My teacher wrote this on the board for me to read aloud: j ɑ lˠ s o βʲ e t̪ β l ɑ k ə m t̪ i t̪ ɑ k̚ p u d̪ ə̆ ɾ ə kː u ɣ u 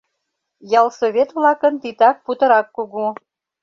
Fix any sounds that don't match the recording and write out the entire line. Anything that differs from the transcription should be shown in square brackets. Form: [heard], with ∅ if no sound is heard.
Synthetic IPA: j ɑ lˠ s o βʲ e t̪ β l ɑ k ə [n] t̪ i t̪ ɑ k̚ p u [t̪] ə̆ ɾ [ɑ] kː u ɣ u